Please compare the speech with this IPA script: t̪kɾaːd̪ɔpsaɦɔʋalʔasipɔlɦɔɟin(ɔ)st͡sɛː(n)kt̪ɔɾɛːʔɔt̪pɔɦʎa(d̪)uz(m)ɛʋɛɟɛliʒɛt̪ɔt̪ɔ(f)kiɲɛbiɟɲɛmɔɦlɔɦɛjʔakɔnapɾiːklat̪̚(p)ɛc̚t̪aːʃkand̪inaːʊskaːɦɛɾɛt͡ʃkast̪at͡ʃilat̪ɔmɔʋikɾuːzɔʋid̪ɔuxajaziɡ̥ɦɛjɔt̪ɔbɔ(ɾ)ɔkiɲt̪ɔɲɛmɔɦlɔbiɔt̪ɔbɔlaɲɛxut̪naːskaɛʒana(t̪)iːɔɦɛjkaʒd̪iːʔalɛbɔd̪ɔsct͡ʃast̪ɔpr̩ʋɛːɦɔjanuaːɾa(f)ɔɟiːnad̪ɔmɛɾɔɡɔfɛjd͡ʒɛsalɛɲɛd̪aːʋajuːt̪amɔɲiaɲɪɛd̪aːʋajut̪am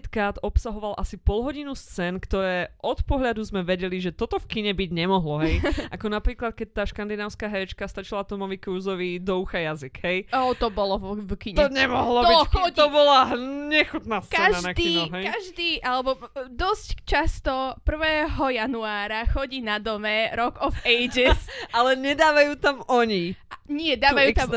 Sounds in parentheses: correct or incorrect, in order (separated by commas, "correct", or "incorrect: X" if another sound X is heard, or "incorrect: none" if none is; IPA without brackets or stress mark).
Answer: incorrect: u, correct, correct, correct, correct, incorrect: k, incorrect: l, incorrect: k̪, incorrect: x